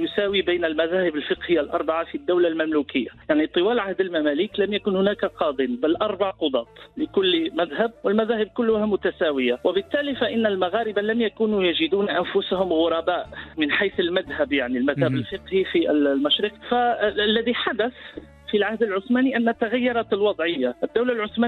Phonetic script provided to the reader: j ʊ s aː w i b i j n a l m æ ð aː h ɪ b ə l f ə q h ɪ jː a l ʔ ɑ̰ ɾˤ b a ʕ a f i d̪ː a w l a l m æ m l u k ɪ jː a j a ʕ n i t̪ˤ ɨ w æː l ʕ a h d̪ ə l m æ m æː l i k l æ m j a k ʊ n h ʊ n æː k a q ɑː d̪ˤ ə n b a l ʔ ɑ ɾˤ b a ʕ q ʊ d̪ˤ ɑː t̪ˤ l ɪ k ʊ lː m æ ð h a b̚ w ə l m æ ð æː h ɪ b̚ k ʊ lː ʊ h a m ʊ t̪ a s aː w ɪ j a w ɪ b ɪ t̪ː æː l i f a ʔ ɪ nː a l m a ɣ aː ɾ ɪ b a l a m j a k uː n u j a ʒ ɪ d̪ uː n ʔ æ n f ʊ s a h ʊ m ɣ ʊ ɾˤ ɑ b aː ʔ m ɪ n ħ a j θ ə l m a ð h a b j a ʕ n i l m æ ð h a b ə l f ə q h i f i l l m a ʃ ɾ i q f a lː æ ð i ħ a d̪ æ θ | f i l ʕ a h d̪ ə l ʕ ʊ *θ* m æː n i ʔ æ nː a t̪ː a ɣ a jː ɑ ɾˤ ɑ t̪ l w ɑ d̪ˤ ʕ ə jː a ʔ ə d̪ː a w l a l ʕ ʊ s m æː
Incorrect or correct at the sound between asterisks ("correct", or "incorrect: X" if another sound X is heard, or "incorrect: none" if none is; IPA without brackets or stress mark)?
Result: incorrect: s